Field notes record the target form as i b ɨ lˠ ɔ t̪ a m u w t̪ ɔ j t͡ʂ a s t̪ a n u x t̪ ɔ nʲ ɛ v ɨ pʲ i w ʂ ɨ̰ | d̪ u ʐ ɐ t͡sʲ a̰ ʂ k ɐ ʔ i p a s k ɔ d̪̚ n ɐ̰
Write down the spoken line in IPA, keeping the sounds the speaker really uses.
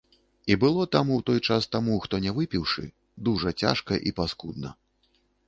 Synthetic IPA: i b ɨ lˠ ɔ t̪ a m u w t̪ ɔ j t͡ʂ a s t̪ a m u x t̪ ɔ nʲ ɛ v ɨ pʲ i w ʂ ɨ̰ | d̪ u ʐ ɐ t͡sʲ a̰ ʂ k ɐ ʔ i p a s k u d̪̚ n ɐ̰